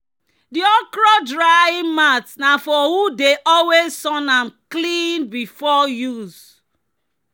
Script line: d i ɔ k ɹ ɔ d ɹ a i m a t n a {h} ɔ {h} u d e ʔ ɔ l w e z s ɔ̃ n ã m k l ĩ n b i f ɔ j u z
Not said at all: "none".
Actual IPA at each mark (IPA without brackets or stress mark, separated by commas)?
f, h